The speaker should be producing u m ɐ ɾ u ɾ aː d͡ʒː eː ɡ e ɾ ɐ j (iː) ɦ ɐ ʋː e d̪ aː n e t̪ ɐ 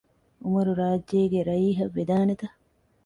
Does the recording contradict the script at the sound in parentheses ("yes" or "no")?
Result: no